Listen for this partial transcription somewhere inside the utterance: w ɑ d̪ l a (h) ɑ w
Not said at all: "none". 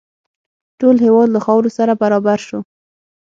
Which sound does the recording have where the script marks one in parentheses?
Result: x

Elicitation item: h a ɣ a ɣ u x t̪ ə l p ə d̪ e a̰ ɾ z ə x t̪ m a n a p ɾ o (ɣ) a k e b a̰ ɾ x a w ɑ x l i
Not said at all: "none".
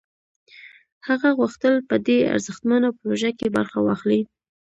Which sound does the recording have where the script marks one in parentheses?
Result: ʒ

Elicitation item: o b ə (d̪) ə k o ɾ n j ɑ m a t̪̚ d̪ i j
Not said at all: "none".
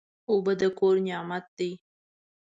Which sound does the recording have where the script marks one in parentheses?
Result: d̪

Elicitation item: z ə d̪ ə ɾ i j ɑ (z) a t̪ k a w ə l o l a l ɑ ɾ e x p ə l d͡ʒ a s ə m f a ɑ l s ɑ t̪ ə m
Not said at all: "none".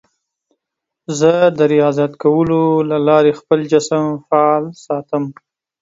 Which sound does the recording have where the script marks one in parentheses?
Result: z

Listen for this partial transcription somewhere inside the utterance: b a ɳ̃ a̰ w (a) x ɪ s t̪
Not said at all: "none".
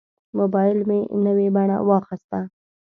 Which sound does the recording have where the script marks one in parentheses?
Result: ɑ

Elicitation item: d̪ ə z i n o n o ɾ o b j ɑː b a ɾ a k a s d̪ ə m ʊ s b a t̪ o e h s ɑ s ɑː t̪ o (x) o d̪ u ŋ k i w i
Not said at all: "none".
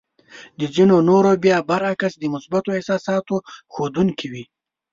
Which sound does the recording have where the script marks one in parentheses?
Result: x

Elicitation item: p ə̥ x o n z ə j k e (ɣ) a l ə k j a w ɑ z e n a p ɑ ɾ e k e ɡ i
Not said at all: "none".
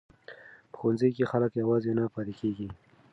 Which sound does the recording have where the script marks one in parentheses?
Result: x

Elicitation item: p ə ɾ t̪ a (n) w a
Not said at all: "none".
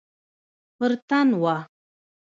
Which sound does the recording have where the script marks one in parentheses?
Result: n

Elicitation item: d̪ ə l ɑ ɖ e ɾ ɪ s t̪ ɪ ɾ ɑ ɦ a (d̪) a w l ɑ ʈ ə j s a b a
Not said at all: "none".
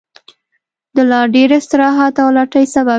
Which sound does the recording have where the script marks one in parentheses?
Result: t̪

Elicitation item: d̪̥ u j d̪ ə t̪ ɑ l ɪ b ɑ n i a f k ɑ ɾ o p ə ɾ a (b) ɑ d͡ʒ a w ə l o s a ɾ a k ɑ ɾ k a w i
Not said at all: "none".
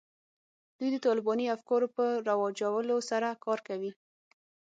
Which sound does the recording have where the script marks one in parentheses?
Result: w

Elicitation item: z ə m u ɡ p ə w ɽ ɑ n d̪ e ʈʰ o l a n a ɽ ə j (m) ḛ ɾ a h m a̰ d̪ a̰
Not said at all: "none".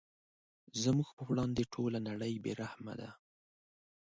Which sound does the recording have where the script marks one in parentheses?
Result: b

